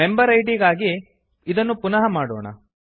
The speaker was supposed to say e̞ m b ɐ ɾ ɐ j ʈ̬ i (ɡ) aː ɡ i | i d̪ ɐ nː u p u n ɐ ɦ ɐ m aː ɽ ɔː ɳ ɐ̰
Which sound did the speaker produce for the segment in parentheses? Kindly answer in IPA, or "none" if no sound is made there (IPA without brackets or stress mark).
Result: ɡ